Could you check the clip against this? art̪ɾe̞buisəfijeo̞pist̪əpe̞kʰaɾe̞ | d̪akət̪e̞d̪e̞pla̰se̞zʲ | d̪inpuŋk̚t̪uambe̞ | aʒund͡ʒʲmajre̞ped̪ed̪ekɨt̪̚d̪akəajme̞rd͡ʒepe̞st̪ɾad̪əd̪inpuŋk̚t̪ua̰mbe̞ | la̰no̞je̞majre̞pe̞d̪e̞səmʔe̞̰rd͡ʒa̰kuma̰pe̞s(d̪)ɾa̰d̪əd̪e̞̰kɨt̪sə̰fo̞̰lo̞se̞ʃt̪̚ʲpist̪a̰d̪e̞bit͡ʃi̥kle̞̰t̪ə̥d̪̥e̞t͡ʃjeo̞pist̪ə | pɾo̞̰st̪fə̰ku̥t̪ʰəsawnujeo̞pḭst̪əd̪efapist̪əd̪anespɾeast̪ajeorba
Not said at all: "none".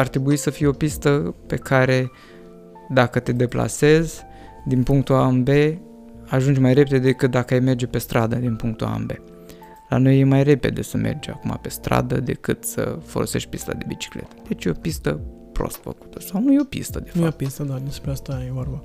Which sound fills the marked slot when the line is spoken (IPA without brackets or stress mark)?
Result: t̪